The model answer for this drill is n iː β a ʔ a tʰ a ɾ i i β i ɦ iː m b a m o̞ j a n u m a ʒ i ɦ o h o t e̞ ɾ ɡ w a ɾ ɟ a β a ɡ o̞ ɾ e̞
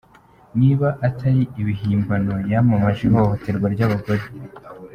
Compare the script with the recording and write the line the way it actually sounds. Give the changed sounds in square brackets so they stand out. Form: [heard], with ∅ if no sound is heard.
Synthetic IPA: n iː β a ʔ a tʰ a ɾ i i β i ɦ iː m b a [n] o̞ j a [m] u m a ʒ i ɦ o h o t e̞ ɾ ɡ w a ɾ ɟ a β a ɡ o̞ ɾ e̞

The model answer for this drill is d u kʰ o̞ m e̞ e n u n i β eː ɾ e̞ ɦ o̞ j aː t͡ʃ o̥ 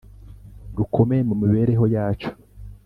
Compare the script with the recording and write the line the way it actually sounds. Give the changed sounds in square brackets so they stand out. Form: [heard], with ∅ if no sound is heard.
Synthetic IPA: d u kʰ o̞ m e̞ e [m] u [m] i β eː ɾ e̞ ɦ o̞ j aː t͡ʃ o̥

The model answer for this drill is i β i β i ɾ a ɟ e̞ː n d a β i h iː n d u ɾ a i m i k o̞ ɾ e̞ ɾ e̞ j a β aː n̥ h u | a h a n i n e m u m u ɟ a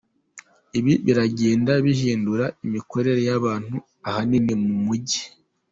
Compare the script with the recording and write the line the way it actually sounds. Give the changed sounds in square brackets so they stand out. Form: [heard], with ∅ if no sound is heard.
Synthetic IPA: i β i β i ɾ a ɟ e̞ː n d a β i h iː n d u ɾ a i m i k o̞ ɾ e̞ ɾ e̞ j a β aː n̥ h u | a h a n i n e m u m u ɟ [i]

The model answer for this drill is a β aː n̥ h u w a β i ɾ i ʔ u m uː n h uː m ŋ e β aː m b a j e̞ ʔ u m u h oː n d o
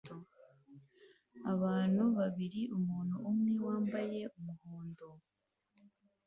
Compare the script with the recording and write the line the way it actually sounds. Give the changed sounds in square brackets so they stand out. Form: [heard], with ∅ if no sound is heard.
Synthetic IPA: a β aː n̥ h u [β] a β i ɾ i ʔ u m uː n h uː m ŋ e [w] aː m b a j e̞ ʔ u m u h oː n d o

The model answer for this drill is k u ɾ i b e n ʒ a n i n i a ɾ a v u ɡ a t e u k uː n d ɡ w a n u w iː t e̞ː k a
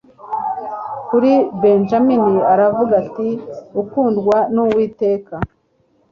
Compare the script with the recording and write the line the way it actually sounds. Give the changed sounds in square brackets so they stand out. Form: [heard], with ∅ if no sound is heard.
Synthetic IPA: k u ɾ i b e n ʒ a [m] i n i a ɾ a v u ɡ a t [i] u k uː n d ɡ w a n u w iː t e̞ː k a

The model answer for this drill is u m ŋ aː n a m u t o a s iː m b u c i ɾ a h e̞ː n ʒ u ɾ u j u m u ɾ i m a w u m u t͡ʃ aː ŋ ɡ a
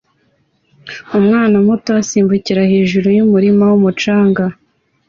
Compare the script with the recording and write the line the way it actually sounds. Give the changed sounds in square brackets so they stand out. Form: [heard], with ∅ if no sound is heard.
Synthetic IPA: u m ŋ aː n a m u t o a s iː m b u c i ɾ a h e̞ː [∅] ʒ u ɾ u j u m u ɾ i m a w u m u t͡ʃ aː ŋ ɡ a

